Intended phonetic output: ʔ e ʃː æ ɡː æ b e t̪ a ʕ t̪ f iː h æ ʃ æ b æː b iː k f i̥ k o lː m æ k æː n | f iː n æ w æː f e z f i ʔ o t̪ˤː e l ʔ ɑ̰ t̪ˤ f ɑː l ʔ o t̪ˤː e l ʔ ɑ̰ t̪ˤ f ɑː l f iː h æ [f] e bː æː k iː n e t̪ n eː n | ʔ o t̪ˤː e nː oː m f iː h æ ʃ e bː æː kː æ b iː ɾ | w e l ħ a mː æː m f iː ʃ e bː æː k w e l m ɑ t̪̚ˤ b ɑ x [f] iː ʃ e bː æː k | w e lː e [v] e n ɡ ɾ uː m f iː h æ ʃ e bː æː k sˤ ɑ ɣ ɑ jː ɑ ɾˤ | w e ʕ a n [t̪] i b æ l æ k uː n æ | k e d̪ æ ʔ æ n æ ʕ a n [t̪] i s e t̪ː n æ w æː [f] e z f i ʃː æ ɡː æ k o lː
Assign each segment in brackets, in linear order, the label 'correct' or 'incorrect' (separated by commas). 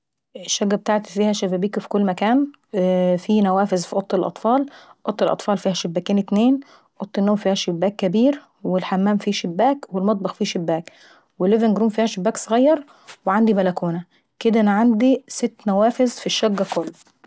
incorrect, correct, correct, incorrect, incorrect, correct